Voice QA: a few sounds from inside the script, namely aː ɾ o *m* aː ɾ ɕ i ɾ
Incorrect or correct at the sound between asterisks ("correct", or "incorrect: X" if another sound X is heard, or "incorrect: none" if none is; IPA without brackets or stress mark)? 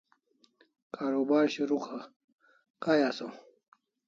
incorrect: b